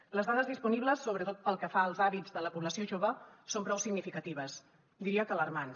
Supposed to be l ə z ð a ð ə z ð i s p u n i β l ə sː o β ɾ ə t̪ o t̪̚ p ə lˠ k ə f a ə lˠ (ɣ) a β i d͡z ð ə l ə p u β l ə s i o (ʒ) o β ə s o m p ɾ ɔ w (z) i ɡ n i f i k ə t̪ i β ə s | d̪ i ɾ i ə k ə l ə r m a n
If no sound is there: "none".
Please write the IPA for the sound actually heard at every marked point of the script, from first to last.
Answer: z, ʒ, s

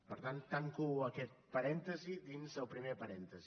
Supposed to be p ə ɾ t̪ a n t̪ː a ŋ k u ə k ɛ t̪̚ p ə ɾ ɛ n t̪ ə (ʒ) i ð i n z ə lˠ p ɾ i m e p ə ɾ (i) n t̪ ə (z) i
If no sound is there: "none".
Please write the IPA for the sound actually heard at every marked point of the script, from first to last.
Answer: z, ɛ, z

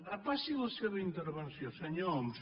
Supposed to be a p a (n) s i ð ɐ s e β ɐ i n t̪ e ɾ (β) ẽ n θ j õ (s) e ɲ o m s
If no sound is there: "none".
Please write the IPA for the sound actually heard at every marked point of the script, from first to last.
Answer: none, β, s

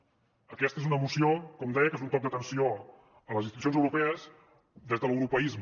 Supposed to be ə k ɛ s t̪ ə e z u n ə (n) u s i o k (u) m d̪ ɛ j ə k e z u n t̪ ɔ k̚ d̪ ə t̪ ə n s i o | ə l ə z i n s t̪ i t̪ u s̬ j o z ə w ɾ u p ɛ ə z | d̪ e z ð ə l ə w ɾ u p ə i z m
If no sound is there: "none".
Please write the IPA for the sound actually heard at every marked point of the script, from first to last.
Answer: m, ɔ

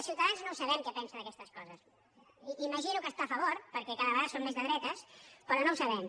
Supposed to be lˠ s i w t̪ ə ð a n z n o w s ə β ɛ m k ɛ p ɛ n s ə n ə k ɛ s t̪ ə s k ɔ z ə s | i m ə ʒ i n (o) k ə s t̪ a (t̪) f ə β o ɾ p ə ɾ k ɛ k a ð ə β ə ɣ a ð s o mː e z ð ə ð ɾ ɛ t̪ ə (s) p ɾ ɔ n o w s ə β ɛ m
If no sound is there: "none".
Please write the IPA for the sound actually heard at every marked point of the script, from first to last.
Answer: u, none, s

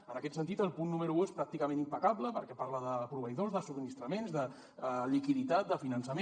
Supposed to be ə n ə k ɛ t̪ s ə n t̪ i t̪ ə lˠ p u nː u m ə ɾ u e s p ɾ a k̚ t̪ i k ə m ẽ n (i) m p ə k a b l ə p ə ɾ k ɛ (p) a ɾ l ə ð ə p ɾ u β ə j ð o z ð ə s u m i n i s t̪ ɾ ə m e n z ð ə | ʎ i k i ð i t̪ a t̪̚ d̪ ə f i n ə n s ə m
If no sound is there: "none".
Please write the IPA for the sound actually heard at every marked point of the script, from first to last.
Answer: i, p

